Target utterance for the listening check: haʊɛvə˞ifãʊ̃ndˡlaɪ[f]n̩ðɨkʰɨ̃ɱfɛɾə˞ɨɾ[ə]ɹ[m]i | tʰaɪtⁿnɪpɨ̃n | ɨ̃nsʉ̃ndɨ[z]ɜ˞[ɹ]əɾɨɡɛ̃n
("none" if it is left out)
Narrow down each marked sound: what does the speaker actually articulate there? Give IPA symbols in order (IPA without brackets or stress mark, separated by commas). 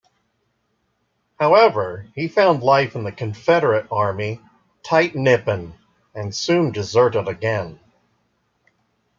f, ɑ, m, z, ɾ